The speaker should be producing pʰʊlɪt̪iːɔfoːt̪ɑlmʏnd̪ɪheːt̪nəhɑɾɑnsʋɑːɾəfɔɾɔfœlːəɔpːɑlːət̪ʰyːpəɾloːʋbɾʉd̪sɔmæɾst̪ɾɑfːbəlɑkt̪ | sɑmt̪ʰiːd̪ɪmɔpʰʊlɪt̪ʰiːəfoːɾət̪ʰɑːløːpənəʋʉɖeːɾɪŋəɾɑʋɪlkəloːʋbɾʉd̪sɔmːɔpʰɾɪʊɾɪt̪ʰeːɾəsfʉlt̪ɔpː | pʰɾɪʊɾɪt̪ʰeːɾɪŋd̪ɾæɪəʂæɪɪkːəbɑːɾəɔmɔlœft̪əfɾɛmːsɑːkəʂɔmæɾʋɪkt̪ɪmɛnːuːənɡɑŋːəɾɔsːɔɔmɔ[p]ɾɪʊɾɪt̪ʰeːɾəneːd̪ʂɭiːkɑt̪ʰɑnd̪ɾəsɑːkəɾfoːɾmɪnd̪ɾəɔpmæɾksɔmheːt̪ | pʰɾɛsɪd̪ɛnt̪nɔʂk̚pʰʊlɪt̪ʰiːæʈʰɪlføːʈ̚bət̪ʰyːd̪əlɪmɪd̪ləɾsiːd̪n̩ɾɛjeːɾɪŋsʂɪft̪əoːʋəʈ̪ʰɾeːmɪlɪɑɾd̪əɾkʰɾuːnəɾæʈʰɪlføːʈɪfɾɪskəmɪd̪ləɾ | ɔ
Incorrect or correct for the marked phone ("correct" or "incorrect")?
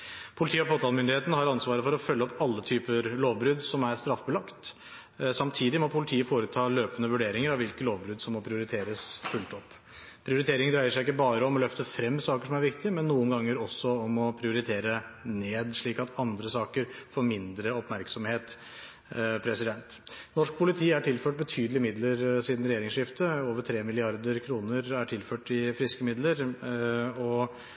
incorrect